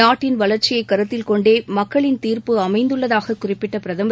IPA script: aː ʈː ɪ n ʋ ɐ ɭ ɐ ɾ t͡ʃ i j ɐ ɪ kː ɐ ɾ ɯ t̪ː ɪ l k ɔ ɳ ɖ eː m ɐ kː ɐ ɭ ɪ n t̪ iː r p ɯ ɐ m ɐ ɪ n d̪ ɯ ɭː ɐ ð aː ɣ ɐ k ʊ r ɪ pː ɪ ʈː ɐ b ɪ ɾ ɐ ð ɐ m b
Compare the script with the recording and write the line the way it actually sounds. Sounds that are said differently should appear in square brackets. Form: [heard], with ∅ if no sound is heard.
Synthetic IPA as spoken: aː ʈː ɪ n ʋ ɐ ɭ ɐ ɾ t͡ʃ [ɪ] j ɐ ɪ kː ɐ ɾ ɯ t̪ː ɪ l k ɔ ɳ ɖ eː m ɐ kː ɐ ɭ ɪ n t̪ iː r p ɯ ɐ m ɐ ɪ n d̪ ɯ ɭː ɐ ð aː ɣ ɐ k ʊ r ɪ pː ɪ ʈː ɐ [p] ɪ ɾ ɐ ð ɐ m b